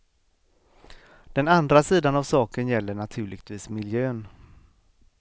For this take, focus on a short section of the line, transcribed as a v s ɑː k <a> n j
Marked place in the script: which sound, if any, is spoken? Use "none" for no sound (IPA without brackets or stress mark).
ə